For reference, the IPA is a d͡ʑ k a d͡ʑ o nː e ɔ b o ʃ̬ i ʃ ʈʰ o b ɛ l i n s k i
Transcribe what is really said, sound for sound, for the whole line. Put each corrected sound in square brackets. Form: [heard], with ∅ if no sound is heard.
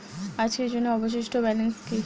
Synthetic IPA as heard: a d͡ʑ k [e] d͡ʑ o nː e ɔ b o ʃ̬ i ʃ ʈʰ o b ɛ l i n s k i